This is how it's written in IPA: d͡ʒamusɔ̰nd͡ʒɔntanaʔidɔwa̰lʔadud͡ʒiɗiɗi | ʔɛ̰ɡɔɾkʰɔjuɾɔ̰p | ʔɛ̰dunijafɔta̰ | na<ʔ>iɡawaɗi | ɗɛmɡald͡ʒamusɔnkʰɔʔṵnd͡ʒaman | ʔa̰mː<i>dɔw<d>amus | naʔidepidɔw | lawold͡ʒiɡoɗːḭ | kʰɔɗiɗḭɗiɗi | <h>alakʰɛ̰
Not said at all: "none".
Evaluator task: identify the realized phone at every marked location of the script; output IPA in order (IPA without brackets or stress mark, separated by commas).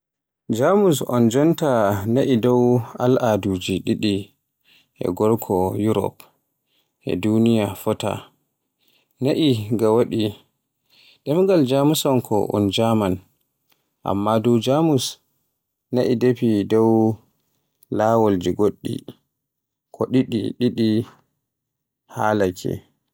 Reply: ʔ, a, d͡ʒ, h